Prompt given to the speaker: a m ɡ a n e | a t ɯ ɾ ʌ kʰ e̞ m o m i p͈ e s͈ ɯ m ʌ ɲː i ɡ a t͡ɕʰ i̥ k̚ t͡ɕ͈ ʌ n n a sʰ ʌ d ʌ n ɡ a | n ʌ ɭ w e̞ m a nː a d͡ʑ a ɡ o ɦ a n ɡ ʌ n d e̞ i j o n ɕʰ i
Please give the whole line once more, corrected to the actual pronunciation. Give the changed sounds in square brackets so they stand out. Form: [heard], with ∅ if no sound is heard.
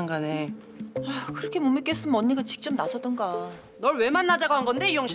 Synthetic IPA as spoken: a [ŋ] ɡ a n e | a [k] ɯ ɾ ʌ kʰ e̞ m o m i [k͈] e s͈ ɯ m ʌ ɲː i ɡ a [t͡ɕ] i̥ k̚ t͡ɕ͈ ʌ [m] n a sʰ ʌ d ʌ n ɡ a | n ʌ ɭ w e̞ m a nː a d͡ʑ a ɡ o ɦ a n ɡ ʌ n d e̞ i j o [ŋ] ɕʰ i

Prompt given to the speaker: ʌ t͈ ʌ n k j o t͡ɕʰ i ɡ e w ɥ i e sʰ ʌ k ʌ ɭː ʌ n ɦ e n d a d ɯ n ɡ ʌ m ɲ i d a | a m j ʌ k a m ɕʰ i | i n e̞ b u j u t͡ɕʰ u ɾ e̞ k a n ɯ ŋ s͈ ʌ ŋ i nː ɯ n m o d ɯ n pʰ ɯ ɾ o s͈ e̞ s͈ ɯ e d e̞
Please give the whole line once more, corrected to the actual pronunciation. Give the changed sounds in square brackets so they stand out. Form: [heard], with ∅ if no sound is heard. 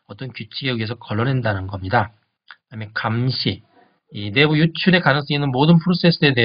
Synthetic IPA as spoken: ʌ t͈ ʌ n k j [u] t͡ɕʰ i ɡ e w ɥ i e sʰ ʌ k ʌ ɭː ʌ n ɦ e n d a [n] ɯ n ɡ ʌ m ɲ i d a | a m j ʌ k a m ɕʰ i | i n e̞ b u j u t͡ɕʰ u ɾ e̞ k a n ɯ ŋ s͈ ʌ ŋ i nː ɯ n m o d ɯ n pʰ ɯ ɾ o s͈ e̞ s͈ ɯ e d e̞

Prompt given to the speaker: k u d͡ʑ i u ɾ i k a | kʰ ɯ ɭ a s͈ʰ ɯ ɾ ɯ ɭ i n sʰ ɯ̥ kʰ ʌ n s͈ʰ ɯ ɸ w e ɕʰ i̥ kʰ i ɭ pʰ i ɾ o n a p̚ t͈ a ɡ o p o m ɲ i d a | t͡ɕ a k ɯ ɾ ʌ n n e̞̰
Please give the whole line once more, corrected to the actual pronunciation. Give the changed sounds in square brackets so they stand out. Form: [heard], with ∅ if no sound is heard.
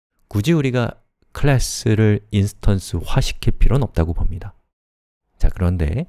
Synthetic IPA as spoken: k u d͡ʑ i u ɾ i [ɡ] a | kʰ ɯ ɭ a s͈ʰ ɯ ɾ ɯ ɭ i n sʰ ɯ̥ [tʰ] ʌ n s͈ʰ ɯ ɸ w [a] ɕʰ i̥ kʰ i ɭ pʰ i ɾ o n [ʌ] p̚ t͈ a ɡ o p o m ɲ i d a | t͡ɕ a k ɯ ɾ ʌ n [d] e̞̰

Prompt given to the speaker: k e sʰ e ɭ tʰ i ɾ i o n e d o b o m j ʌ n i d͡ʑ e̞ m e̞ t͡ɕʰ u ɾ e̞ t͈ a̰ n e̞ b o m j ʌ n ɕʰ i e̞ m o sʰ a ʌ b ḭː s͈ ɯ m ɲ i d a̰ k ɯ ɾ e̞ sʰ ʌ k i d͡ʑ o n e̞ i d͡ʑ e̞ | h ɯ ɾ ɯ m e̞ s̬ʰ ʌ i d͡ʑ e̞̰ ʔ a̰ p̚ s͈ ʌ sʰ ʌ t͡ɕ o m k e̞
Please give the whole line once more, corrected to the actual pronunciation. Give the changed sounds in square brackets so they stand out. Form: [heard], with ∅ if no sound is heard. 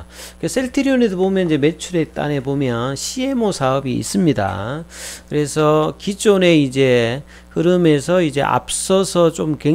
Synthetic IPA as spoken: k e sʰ e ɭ tʰ i ɾ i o n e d o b o m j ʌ n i d͡ʑ e̞ m e̞ t͡ɕʰ u ɾ e̞ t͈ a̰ n e̞ b o m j ʌ n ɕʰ i e̞ m o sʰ a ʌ b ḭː s͈ ɯ m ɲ i d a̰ k ɯ ɾ e̞ sʰ ʌ k i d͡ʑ o n e̞ i d͡ʑ e̞ | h ɯ ɾ ɯ m e̞ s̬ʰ ʌ i d͡ʑ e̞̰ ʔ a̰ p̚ s͈ ʌ sʰ ʌ t͡ɕ o m k e̞

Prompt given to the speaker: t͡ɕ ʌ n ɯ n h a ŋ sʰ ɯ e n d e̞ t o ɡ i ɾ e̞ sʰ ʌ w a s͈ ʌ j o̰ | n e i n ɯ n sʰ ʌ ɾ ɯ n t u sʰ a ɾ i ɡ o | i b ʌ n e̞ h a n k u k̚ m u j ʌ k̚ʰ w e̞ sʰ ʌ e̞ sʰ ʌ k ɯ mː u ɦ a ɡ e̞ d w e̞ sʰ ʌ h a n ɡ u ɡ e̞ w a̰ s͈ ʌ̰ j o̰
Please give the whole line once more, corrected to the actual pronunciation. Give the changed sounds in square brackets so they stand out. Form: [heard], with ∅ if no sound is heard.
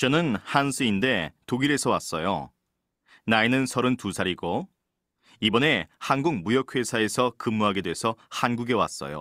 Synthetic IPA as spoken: t͡ɕ ʌ n ɯ n h a [n] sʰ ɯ [i] n d e̞ t o ɡ i ɾ e̞ sʰ ʌ w a s͈ ʌ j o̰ | n [a] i n ɯ n sʰ ʌ ɾ ɯ n t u sʰ a ɾ i ɡ o | i b ʌ n e̞ h a n [ɡ] u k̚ m u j ʌ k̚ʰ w e̞ sʰ [a] e̞ sʰ ʌ k ɯ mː u ɦ a ɡ e̞ d w e̞ sʰ ʌ h a n ɡ u ɡ e̞ w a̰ s͈ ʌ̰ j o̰

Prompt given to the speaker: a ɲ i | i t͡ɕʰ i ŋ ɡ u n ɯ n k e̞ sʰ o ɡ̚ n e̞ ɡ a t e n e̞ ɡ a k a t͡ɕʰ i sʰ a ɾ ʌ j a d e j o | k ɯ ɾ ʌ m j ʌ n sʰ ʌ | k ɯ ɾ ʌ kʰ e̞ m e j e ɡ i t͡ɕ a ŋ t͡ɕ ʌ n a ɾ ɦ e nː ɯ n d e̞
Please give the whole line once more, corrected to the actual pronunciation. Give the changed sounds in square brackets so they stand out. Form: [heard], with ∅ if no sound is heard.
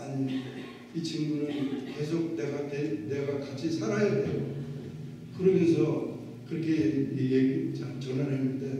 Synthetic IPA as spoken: a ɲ i | i t͡ɕʰ i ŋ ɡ u n ɯ n k e̞ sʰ o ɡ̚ n e̞ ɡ a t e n e̞ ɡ a k a t͡ɕʰ i sʰ a ɾ [a] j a d e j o | k ɯ ɾ ʌ m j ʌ n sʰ ʌ | k ɯ ɾ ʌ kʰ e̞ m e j e ɡ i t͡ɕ a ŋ t͡ɕ ʌ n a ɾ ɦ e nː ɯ n d e̞

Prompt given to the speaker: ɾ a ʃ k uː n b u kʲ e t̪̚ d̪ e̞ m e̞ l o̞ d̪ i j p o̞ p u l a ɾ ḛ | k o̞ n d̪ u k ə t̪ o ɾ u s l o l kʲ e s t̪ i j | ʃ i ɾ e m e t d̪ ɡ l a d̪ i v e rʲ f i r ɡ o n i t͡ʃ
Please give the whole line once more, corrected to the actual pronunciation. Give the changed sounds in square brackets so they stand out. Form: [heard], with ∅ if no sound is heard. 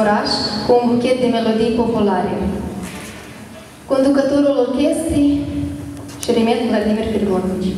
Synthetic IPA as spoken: ɾ a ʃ k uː n b u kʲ e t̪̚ d̪ e̞ m e̞ l o̞ d̪ i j p o̞ p u l a ɾ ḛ | k o̞ n d̪ u k ə t̪ o ɾ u [∅] l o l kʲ e s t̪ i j | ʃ i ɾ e m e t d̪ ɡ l a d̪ i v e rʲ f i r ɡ o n i t͡ʃ

